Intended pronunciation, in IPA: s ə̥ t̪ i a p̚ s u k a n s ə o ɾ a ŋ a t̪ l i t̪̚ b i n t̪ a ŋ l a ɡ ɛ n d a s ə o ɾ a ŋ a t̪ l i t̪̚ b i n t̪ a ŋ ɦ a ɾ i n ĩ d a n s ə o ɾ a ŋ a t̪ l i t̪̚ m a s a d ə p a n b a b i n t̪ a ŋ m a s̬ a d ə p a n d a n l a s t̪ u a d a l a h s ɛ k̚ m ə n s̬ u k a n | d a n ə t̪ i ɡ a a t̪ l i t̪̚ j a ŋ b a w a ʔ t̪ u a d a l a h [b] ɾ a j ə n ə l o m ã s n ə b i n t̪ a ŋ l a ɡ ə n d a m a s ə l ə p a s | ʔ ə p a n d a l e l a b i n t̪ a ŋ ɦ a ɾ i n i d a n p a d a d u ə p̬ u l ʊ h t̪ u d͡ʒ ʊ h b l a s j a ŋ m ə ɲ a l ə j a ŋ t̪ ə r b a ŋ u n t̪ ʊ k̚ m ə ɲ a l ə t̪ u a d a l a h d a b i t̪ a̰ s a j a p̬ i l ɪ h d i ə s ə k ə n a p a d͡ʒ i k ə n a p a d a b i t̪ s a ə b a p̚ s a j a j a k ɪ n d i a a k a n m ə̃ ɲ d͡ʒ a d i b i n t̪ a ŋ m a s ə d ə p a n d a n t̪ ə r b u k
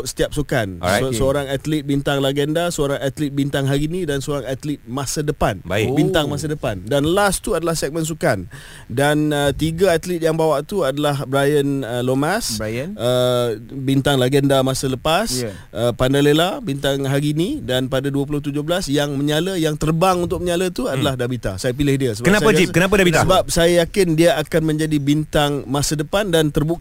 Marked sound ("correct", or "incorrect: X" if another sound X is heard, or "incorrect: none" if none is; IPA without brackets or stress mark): correct